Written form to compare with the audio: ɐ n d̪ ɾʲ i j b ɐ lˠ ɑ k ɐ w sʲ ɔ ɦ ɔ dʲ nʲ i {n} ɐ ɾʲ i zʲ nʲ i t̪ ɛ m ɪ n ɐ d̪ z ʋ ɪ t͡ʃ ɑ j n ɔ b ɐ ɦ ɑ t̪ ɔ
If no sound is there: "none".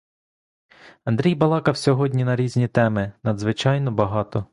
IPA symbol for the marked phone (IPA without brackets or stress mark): n